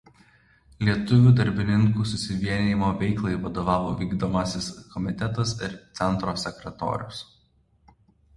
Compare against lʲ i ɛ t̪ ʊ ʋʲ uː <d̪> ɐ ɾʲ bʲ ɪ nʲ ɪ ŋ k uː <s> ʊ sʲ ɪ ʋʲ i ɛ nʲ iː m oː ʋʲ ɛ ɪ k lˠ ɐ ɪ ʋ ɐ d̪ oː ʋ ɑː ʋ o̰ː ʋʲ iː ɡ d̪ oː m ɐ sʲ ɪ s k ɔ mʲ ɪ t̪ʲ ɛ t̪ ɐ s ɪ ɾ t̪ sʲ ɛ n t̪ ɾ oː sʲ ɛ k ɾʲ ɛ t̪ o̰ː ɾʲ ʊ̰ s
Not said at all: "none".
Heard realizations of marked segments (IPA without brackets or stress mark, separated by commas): d̪, s